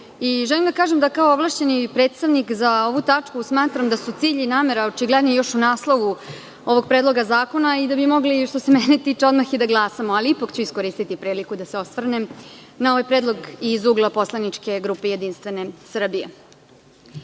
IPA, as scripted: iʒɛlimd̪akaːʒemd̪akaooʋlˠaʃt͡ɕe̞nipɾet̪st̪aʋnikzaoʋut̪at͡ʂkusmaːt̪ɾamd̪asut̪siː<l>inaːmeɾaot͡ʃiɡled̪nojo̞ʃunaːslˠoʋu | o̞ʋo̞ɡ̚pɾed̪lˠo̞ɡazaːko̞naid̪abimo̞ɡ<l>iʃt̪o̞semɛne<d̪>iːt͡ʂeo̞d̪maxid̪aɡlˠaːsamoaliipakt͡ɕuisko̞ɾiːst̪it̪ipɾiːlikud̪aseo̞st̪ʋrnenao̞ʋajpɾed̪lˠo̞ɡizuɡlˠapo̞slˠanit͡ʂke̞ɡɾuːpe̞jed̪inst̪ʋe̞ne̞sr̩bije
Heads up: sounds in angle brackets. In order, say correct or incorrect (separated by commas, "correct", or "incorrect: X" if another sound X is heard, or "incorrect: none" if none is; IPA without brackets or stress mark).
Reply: incorrect: ʎ, correct, incorrect: t̪